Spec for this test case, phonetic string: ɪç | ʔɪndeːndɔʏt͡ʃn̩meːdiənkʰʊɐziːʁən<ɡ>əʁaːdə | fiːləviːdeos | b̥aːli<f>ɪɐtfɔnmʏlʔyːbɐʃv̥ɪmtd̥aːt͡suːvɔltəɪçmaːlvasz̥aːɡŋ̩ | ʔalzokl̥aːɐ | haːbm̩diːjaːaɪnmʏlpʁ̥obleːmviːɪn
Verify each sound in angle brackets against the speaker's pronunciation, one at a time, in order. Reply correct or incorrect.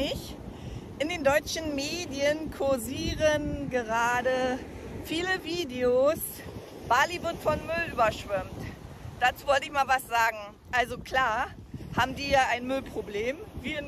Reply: correct, incorrect

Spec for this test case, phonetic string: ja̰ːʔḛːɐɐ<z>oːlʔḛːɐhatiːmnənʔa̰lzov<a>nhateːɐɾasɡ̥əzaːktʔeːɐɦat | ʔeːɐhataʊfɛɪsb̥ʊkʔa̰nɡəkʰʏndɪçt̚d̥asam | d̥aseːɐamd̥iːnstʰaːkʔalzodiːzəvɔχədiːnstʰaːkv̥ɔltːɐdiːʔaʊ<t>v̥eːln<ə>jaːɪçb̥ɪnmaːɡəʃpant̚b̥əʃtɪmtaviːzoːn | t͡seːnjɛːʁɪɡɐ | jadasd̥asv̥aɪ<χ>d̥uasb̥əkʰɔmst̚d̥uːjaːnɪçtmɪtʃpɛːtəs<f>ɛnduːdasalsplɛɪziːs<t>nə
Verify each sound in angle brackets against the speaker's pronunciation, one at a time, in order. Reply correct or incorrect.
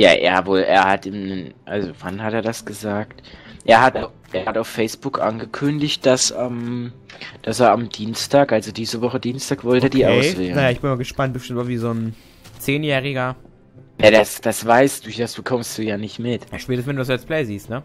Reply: incorrect, correct, incorrect, incorrect, incorrect, incorrect, correct

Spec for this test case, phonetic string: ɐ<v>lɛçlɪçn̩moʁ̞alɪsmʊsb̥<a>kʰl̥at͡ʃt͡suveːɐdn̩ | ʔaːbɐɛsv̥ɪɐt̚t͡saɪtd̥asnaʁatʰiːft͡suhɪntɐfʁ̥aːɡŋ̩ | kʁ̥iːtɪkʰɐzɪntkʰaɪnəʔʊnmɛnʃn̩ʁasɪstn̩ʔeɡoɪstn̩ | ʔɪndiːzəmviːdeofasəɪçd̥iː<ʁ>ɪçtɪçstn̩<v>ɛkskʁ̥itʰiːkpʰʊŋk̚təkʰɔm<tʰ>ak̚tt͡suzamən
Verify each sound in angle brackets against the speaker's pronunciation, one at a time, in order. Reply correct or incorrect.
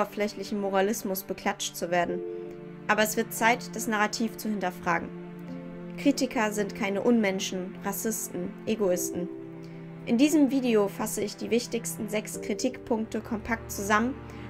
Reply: incorrect, incorrect, incorrect, incorrect, incorrect

